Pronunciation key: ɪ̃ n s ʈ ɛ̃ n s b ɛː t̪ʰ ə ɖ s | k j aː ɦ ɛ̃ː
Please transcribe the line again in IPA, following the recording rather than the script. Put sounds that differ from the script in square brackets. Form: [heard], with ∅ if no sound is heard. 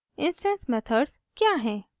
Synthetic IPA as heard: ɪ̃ n s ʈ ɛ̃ n s [m] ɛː t̪ʰ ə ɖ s | k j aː ɦ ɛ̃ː